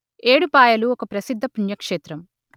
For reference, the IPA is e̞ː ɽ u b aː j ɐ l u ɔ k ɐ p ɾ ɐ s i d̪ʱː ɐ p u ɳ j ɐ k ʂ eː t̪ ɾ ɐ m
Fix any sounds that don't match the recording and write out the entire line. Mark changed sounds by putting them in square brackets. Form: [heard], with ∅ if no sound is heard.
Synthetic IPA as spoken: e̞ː ɽ u [p] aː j ɐ l u ɔ k ɐ p ɾ ɐ s i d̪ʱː ɐ p u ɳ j ɐ k ʂ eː t̪ ɾ ɐ m